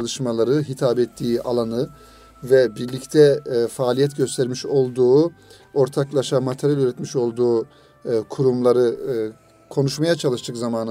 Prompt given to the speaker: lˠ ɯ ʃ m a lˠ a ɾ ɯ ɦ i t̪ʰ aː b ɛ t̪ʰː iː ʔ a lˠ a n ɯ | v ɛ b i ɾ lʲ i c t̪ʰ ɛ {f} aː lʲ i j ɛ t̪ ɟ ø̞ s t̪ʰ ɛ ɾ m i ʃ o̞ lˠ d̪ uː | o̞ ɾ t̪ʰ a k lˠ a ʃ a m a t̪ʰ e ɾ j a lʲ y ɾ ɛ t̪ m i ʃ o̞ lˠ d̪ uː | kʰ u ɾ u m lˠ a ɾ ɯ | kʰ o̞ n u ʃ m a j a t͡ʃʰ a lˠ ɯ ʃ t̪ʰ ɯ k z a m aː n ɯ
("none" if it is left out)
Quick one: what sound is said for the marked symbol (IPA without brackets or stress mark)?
f